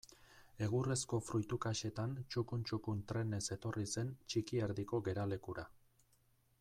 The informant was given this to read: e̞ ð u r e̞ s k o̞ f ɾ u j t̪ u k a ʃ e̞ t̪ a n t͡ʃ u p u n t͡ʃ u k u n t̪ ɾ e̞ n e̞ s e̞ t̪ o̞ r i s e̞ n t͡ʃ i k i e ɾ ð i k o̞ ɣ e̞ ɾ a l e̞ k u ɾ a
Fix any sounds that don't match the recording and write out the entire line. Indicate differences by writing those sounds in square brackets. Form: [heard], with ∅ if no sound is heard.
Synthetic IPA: e̞ [ɣ] u r e̞ s k o̞ f ɾ u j t̪ u k a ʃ e̞ t̪ a n t͡ʃ u [k] u n t͡ʃ u k u n t̪ ɾ e̞ n e̞ s e̞ t̪ o̞ r i s e̞ n t͡ʃ i k i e ɾ ð i k o̞ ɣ e̞ ɾ a l e̞ k u ɾ a